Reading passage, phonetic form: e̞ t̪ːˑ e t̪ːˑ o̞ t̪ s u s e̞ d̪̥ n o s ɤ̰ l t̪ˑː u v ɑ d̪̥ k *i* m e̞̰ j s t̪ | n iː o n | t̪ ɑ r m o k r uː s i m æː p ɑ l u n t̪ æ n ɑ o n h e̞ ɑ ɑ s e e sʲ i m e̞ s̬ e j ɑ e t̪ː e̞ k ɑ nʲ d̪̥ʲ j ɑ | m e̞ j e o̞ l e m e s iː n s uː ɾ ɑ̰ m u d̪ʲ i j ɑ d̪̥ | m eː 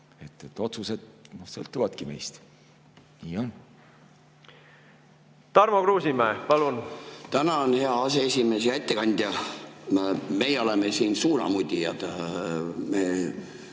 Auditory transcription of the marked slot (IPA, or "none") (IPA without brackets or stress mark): i